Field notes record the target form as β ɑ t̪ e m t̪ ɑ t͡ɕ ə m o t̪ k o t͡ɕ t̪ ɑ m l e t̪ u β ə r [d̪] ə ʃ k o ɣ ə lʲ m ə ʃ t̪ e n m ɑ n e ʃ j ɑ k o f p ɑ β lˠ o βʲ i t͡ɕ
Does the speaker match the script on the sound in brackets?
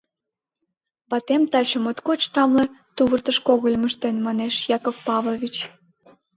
no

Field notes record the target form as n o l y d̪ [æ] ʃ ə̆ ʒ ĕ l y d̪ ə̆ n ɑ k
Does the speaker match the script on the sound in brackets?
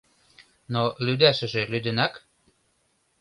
yes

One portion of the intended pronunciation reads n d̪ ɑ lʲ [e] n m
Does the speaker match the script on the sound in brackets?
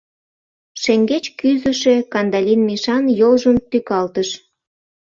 no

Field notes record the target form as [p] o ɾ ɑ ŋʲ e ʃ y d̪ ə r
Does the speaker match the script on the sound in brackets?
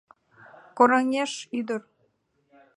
no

